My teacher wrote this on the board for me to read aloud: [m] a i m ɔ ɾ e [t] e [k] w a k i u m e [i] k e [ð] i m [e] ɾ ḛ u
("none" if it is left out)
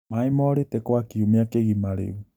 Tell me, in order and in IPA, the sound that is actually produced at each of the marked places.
m, t, k, a, ɣ, a

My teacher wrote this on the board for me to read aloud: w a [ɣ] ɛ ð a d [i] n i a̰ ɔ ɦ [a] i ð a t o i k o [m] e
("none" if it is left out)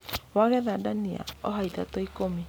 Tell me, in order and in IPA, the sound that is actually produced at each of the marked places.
ɣ, a, a, m

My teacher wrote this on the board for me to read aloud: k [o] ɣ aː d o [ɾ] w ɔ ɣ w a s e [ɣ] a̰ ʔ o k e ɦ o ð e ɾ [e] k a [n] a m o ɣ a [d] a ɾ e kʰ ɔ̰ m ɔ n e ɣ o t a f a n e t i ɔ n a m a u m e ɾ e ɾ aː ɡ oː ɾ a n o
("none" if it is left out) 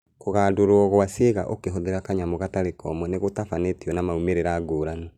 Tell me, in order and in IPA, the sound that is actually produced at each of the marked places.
o, ɾ, ɣ, a, ɲ, t

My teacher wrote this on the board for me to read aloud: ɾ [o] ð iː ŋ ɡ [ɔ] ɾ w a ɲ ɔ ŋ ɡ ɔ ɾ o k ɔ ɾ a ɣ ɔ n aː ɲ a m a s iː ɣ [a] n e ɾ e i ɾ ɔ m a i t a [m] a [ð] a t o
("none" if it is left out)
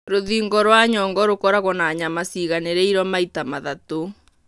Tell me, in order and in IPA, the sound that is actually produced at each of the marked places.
o, ɔ, a, m, ð

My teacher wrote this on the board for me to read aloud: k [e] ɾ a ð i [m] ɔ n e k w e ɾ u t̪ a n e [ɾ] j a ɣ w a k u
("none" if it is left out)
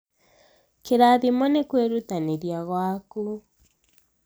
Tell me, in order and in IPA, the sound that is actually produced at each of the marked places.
e, m, ɾ

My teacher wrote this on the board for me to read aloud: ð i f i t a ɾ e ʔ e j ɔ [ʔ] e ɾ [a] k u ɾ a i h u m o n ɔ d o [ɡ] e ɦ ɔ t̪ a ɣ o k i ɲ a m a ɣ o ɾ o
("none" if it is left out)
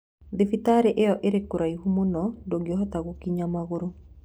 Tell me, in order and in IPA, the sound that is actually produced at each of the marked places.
ʔ, e, ɡ

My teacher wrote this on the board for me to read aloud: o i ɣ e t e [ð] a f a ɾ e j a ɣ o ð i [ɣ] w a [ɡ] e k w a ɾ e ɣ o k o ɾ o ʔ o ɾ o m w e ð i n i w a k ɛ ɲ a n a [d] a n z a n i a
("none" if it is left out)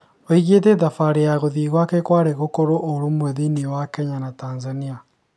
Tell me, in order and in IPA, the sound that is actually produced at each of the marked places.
ð, ɣ, k, t

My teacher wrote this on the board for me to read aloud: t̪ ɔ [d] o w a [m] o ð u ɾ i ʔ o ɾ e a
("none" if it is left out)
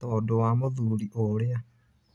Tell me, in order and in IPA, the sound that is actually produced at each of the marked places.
d, m

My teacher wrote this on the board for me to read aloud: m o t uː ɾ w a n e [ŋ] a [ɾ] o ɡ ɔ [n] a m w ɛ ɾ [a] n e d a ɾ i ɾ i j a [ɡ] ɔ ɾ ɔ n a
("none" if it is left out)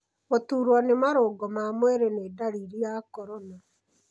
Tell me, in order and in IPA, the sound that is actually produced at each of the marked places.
m, ɾ, m, e, k

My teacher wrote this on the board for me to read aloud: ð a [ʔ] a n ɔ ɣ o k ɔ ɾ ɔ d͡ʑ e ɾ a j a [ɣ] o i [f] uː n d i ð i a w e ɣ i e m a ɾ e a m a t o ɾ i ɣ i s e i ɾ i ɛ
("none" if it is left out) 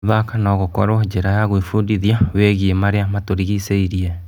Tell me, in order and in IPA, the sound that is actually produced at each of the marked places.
k, ɣ, f

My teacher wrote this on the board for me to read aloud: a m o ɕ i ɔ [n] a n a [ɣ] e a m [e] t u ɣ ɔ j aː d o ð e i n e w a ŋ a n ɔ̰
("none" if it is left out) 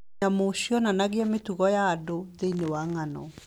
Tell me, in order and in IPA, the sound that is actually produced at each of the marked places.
n, ɣ, e

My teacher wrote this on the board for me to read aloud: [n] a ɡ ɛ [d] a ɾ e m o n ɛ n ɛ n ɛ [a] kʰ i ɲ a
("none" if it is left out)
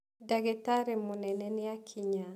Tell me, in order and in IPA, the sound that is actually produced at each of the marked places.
d, t, a

